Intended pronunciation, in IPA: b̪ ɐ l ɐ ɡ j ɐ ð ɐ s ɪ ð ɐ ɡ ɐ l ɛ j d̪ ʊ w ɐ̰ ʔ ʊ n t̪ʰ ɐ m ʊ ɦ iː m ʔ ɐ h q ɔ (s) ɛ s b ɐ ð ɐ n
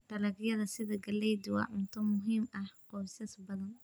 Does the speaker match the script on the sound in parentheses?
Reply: yes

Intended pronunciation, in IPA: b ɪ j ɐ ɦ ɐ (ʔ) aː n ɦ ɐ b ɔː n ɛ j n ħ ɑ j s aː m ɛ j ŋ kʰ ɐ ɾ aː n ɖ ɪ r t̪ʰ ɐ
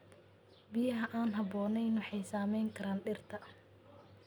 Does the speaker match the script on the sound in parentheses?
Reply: yes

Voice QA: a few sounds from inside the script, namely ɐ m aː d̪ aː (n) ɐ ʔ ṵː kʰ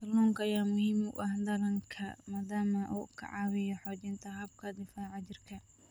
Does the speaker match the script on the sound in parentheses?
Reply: no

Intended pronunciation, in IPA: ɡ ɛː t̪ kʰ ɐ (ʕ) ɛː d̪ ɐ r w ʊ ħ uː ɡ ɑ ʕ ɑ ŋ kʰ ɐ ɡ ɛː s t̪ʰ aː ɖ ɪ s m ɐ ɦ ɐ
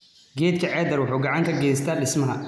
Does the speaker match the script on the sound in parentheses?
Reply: yes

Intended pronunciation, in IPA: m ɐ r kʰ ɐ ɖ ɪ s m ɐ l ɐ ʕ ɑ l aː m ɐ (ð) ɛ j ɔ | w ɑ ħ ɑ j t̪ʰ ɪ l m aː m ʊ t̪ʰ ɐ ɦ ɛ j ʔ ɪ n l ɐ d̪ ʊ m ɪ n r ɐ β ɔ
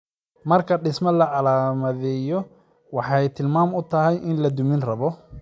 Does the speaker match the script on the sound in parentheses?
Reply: yes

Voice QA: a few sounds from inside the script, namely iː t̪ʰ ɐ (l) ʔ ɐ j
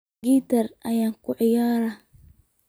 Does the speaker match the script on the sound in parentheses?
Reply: no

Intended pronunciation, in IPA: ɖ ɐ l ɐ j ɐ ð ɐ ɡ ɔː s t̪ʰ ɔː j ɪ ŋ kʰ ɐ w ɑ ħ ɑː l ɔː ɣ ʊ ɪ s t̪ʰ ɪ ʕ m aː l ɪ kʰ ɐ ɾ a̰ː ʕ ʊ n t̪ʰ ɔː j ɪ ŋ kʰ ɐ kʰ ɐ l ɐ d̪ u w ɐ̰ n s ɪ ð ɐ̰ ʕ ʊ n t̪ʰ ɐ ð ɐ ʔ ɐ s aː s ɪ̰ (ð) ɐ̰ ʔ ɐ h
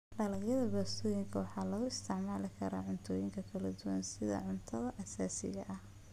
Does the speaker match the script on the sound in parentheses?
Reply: no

